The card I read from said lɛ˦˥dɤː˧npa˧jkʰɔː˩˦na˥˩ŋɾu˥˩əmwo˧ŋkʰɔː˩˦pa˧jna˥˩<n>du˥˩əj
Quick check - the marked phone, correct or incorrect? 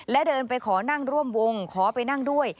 incorrect